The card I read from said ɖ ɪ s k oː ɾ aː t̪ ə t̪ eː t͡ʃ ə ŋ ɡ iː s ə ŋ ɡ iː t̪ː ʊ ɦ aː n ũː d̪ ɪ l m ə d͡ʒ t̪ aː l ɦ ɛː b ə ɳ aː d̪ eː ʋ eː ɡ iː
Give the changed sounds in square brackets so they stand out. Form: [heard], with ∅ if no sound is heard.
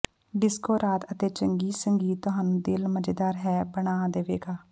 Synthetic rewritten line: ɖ ɪ s k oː ɾ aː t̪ ə t̪ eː t͡ʃ ə ŋ ɡ iː s ə ŋ ɡ iː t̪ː ʊ ɦ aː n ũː d̪ ɪ l m ə d͡ʒ [d̪] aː [ɾ] ɦ ɛː b ə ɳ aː d̪ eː ʋ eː ɡ [aː]